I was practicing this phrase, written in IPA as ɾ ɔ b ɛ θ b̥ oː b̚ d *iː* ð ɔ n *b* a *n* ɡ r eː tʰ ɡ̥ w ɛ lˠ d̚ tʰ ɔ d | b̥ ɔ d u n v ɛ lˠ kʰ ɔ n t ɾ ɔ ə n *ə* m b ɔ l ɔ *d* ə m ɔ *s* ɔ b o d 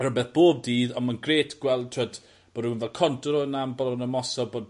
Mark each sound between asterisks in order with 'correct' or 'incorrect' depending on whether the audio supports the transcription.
correct, incorrect, correct, incorrect, incorrect, correct

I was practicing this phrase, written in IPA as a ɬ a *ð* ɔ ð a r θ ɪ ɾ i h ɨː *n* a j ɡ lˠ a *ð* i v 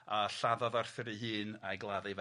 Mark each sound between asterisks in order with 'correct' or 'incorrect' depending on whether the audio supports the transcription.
correct, correct, correct

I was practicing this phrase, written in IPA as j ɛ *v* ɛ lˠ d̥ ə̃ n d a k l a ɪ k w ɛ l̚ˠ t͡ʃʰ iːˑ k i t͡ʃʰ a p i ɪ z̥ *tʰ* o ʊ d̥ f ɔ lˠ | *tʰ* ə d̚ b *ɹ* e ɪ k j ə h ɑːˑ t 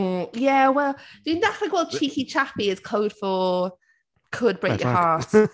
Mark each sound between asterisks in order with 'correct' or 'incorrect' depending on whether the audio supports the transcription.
incorrect, incorrect, incorrect, correct

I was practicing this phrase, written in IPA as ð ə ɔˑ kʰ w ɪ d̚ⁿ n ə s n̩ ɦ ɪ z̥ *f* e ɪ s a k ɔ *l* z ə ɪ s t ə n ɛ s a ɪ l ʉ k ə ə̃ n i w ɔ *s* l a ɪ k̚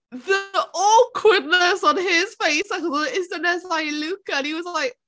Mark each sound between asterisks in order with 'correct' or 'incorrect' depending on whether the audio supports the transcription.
correct, incorrect, incorrect

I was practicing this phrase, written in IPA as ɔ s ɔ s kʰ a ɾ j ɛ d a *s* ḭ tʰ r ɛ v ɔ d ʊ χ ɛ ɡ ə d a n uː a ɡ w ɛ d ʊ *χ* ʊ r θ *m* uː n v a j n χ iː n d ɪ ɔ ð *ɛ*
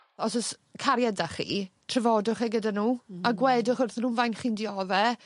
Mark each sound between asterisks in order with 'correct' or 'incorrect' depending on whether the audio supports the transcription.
incorrect, correct, incorrect, correct

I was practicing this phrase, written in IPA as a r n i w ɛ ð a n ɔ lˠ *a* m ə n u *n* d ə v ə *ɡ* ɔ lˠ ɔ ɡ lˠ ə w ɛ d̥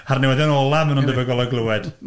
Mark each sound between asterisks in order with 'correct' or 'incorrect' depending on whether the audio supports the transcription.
correct, correct, correct

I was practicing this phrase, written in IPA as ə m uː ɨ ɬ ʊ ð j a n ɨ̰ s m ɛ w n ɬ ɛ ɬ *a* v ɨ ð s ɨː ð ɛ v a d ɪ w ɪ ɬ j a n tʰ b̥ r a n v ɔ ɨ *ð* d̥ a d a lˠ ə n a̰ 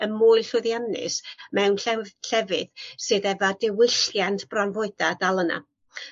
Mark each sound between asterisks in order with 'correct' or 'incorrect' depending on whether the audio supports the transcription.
incorrect, incorrect

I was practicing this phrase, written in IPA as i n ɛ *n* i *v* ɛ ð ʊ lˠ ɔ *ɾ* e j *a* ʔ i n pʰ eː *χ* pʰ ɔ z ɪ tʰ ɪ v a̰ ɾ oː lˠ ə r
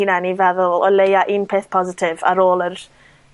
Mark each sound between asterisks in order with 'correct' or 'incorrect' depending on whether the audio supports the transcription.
correct, correct, incorrect, correct, incorrect

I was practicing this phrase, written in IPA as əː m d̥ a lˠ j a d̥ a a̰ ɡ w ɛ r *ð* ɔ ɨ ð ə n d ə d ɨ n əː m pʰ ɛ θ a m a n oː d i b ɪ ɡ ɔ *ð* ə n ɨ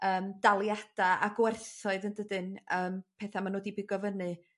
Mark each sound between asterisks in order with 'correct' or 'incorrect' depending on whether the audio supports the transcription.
incorrect, incorrect

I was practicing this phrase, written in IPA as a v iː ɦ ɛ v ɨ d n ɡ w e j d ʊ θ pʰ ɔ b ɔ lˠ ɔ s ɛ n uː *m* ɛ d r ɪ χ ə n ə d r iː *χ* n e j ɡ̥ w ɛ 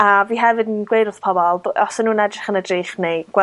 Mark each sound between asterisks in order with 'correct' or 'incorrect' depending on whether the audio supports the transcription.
incorrect, correct

